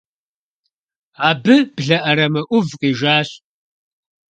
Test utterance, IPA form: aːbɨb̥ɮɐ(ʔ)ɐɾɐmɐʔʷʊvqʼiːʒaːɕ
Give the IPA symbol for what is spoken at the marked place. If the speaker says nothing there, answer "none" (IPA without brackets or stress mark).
ʔ